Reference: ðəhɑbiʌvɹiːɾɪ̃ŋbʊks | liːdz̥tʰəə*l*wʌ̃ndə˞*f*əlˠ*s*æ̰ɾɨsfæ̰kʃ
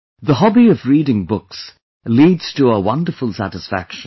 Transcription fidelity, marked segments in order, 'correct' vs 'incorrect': incorrect, correct, correct

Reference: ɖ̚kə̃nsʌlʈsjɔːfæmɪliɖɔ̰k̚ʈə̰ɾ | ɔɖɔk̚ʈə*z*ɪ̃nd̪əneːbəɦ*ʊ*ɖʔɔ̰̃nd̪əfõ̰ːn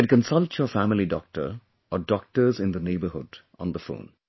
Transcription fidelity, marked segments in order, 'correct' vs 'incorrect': correct, correct

